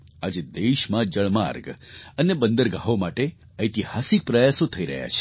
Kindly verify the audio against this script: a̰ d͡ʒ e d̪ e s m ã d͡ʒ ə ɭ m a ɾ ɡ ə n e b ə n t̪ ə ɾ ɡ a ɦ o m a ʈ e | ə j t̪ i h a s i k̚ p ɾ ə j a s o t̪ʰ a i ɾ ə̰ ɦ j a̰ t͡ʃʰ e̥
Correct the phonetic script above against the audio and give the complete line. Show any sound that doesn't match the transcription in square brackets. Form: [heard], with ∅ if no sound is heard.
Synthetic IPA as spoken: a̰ d͡ʒ e d̪ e [ʃ] m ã d͡ʒ ə ɭ m a ɾ ɡ ə n e b ə n [d̪] ə ɾ ɡ a ɦ o m a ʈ e | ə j t̪ i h a s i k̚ p ɾ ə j a s o t̪ʰ [ə] i ɾ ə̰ ɦ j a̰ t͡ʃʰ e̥